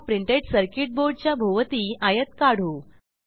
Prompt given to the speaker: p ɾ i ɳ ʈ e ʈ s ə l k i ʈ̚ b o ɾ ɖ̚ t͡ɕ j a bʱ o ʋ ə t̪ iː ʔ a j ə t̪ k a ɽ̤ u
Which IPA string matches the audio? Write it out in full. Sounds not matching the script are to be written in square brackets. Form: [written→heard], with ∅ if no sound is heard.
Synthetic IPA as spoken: p ɾ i ɳ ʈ e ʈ s ə [l→ɾ] k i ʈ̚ b o ɾ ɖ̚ t͡ɕ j a bʱ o ʋ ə t̪ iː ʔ a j ə t̪ k a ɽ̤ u